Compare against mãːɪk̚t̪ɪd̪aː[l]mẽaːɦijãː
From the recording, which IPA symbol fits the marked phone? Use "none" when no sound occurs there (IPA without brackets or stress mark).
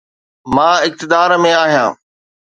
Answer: ɾ